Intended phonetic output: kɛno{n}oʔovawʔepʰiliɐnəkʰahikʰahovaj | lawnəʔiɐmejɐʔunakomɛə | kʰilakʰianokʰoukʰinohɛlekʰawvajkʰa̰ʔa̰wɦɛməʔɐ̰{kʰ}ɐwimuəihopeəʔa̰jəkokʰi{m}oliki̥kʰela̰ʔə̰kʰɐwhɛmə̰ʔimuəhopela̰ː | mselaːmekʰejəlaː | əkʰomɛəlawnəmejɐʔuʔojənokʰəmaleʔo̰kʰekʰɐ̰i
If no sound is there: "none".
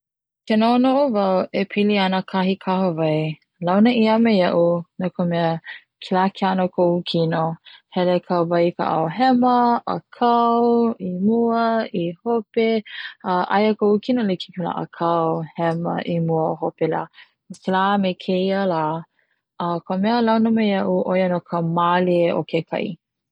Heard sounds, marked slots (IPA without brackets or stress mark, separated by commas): n, kʰ, n